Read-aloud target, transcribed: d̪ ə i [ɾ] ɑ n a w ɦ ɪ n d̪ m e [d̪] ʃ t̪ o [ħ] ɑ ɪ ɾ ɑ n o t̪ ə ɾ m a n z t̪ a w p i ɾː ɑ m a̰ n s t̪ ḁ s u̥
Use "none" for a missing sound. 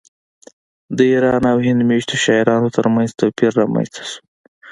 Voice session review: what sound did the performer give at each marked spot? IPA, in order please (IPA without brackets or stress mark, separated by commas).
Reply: ɾ, none, ʃ